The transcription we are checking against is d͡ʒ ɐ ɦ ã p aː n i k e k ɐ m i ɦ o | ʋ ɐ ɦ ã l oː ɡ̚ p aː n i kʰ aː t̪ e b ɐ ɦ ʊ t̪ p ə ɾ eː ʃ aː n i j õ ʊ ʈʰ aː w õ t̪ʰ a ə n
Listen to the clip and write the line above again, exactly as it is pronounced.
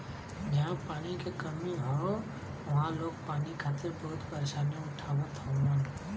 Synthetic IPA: d͡ʒ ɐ ɦ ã p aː n i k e k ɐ m i ɦ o | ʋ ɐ ɦ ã l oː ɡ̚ p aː n i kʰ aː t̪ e b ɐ ɦ ʊ t̪ p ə ɾ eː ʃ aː n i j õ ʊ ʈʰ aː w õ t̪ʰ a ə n